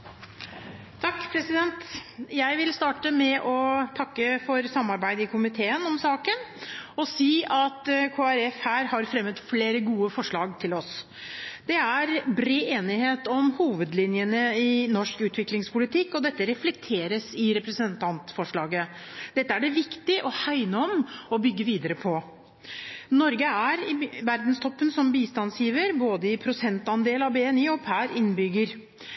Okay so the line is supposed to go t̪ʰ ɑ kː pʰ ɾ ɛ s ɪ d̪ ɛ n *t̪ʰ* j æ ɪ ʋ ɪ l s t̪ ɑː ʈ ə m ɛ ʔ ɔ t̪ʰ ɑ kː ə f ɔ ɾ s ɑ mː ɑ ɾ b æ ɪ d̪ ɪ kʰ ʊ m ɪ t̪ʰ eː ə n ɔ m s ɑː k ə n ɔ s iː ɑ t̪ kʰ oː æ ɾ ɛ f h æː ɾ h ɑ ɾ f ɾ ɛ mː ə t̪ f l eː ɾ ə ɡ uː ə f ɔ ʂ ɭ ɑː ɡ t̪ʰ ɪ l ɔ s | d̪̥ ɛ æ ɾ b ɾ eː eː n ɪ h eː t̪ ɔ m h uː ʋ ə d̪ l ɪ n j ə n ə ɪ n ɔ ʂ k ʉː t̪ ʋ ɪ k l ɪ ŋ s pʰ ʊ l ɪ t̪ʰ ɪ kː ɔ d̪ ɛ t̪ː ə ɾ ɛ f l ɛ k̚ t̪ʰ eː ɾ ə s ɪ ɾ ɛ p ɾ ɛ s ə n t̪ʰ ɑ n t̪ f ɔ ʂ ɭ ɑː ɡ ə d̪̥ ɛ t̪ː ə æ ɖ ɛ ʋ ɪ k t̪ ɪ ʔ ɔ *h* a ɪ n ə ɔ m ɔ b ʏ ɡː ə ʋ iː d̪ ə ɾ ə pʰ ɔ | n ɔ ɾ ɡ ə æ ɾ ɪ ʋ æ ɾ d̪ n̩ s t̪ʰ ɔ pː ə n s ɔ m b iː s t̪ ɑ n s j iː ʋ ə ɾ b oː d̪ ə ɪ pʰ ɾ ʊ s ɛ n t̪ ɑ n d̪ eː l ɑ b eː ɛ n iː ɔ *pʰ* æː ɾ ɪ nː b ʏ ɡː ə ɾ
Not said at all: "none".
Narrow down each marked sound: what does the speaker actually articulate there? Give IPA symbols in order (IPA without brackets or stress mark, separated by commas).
t̪, h, pʰ